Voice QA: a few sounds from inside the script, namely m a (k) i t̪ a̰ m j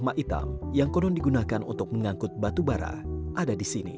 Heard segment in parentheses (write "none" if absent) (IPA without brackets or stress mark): ʔ